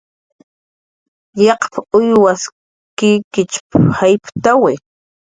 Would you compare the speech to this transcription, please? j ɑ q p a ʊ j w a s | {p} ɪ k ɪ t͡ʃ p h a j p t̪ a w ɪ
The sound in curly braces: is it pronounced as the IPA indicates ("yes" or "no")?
no